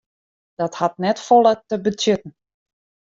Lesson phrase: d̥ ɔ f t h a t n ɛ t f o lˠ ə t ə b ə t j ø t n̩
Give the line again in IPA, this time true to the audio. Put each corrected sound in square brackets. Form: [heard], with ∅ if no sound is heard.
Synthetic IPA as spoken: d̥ ɔ [∅] t h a t n ɛ t f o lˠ ə t ə b ə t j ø t n̩